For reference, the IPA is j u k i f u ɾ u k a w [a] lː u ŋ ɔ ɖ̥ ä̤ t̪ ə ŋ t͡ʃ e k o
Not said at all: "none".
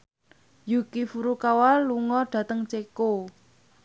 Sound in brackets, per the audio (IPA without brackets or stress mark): a